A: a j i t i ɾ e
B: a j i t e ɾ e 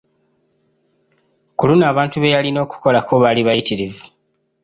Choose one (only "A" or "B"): A